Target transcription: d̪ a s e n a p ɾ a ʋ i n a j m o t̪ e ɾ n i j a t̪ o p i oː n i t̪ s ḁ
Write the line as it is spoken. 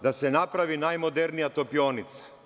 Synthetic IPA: d̪ a s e n a p ɾ a ʋ i n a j m o d̪ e ɾ n i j a t̪ o p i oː n i t̪ s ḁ